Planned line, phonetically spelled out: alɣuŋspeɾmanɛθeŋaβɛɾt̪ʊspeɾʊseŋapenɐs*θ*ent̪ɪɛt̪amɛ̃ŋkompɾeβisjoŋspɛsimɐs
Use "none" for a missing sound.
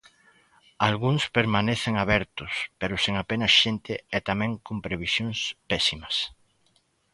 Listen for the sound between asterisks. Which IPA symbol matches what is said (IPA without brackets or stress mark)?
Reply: ʃ